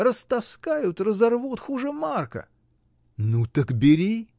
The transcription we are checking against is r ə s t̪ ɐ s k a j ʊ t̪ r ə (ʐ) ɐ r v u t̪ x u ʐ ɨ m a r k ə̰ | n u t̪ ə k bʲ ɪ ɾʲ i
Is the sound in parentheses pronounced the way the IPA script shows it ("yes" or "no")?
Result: no